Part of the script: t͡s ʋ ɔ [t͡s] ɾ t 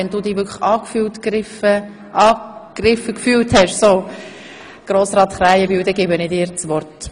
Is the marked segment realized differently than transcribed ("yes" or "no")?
yes